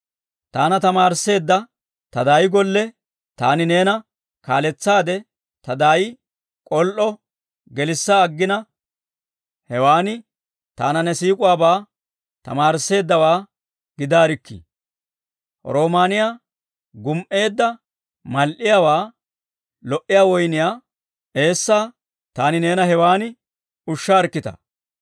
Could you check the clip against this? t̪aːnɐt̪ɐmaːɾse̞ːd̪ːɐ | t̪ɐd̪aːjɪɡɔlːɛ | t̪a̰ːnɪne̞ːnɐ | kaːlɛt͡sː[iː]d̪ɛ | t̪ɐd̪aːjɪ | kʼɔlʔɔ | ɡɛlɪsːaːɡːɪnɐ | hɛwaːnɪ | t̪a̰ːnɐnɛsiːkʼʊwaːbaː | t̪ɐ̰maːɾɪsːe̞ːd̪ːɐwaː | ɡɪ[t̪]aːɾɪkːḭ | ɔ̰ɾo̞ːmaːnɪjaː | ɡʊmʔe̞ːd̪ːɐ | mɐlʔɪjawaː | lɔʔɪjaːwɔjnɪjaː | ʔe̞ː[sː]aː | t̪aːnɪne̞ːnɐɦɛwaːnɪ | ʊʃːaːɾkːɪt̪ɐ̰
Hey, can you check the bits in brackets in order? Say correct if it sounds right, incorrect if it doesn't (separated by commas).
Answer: incorrect, incorrect, correct